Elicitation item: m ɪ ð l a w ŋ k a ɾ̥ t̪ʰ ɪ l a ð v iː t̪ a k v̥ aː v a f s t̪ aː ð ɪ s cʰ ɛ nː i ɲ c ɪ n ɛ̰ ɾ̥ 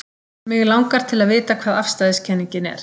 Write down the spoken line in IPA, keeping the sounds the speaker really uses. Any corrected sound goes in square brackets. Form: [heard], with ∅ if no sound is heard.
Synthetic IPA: m ɪ [ɣ] l a w ŋ k a ɾ̥ t̪ʰ ɪ l a ð v [ɪː] t̪ a [kʰ] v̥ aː [ð] a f s t̪ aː ð ɪ s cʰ ɛ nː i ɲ c ɪ n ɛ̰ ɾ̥